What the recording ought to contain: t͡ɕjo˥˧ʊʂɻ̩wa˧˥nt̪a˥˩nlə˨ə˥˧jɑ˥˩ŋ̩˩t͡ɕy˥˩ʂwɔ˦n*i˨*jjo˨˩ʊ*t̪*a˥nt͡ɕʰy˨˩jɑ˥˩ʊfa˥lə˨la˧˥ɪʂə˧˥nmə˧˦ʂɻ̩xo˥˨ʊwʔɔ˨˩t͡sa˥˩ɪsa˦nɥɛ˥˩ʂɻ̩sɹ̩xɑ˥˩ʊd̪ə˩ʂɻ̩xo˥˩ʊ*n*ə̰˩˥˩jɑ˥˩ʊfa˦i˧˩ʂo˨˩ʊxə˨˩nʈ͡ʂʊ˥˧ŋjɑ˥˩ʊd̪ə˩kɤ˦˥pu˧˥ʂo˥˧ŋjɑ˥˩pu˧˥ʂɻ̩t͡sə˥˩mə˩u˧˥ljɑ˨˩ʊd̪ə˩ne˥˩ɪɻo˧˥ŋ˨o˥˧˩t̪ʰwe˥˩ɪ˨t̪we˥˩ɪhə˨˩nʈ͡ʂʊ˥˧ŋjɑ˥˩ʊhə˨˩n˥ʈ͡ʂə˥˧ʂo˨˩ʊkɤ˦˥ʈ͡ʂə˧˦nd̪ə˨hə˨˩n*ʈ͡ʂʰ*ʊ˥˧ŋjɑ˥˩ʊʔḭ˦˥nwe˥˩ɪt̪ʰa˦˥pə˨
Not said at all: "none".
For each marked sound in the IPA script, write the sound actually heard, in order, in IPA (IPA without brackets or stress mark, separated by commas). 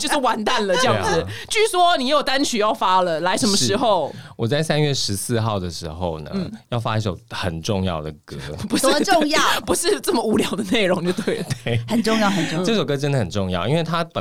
i˨, t̪, n, ʈ͡ʂ